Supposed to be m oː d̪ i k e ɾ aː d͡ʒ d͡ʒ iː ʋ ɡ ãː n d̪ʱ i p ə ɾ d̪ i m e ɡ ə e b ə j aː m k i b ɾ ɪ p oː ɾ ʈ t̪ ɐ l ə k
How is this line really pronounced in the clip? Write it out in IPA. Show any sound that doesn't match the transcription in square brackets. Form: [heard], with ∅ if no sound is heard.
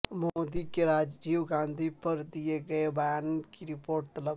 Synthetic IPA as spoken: m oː d̪ i k e ɾ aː d͡ʒ d͡ʒ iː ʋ ɡ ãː n d̪ʱ i p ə ɾ d̪ i [∅] e ɡ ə e b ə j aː [n] k i [∅] ɾ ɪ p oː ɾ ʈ t̪ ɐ l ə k